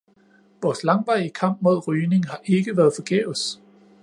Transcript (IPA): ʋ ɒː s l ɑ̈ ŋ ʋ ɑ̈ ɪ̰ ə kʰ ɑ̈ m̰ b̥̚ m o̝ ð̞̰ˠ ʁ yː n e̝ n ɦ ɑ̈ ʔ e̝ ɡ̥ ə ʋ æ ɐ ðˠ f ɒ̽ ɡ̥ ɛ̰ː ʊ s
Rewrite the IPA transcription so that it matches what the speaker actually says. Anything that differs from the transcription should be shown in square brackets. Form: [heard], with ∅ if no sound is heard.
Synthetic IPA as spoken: ʋ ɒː s l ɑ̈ ŋ ʋ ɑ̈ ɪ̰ ə kʰ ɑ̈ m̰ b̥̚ m o̝ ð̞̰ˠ ʁ yː n e̝ [ŋ] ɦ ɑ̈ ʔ e̝ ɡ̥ ə ʋ æ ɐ ðˠ f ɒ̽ ɡ̥ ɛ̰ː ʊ s